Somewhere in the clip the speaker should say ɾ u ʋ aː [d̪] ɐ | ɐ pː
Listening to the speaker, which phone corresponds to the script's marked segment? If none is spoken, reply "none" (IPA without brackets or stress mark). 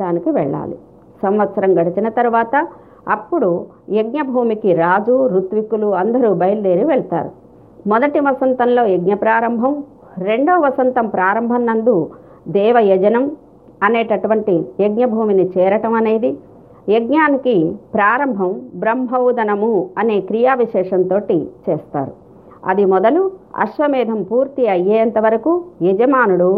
t̪